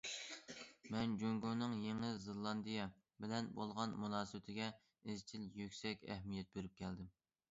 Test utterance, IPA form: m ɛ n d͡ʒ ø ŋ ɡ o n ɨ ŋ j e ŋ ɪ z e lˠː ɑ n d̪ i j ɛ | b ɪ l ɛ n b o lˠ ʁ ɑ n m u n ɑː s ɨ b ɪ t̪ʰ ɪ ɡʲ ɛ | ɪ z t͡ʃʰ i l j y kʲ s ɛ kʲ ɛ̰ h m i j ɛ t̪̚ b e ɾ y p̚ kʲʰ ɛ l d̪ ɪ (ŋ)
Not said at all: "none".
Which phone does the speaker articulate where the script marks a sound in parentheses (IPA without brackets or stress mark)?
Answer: m